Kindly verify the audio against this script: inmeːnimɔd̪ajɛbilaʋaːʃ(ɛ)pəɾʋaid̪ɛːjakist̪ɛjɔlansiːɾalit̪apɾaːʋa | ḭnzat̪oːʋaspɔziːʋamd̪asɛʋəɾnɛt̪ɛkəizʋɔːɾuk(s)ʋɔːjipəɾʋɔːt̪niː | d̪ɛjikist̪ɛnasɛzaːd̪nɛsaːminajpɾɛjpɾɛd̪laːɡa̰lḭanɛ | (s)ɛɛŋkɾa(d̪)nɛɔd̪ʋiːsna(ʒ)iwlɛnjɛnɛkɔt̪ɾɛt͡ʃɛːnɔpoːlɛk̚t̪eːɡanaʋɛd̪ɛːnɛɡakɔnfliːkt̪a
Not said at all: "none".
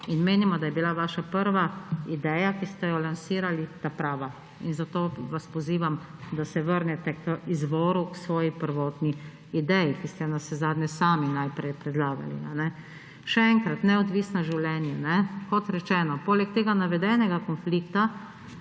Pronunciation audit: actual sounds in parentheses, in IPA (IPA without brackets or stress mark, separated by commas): a, s, ʃ, t̪, ʒ